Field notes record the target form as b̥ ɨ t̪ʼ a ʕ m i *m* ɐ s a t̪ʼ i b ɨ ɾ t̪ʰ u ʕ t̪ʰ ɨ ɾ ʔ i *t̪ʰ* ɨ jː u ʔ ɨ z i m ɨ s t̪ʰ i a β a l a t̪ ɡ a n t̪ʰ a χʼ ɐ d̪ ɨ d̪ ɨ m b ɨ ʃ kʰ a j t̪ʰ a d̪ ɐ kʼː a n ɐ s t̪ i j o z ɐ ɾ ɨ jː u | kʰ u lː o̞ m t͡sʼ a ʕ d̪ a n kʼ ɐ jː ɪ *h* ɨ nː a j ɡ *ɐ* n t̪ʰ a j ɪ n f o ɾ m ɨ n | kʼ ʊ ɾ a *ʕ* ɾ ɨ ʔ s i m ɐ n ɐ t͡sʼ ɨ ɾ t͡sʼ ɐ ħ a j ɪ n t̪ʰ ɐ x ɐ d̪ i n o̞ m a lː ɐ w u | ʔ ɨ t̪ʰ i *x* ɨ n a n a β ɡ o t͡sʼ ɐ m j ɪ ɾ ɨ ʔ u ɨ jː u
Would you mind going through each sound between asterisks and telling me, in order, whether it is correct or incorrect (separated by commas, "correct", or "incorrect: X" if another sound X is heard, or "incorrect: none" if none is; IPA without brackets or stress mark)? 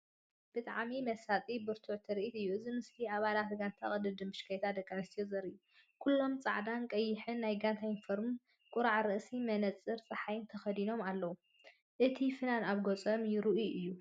correct, incorrect: t̪, incorrect: ħ, incorrect: a, correct, incorrect: f